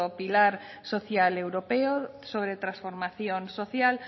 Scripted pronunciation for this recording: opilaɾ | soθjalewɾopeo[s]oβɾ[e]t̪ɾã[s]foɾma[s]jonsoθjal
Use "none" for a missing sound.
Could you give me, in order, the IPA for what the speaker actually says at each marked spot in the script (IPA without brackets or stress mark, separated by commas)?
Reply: s, e, s, θ